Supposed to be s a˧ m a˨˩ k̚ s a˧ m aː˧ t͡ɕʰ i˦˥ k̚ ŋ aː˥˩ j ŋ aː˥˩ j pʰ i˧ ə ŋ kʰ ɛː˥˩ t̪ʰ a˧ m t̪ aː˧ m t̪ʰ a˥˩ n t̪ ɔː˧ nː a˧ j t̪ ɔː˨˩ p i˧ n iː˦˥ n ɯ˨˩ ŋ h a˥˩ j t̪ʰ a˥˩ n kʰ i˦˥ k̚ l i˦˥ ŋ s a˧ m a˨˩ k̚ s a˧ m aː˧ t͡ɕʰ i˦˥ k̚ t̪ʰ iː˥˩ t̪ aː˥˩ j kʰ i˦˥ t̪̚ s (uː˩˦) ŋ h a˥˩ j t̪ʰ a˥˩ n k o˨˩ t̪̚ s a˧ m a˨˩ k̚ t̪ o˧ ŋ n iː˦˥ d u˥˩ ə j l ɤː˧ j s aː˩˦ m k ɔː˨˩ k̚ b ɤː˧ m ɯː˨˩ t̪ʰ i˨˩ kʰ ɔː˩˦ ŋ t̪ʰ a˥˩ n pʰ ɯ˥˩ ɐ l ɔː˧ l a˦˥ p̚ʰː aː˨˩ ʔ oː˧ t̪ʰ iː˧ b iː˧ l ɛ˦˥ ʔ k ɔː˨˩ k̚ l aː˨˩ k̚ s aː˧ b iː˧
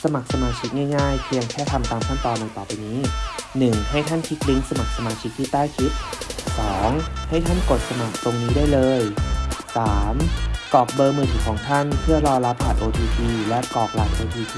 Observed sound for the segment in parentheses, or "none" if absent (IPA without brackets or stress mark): ɔː˩˦